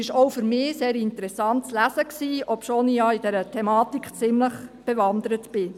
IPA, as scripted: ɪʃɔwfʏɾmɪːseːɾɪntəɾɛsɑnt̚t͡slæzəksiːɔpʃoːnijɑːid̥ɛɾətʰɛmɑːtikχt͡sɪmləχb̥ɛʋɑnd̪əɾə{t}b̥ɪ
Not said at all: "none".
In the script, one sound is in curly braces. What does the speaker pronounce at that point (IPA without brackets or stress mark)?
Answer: t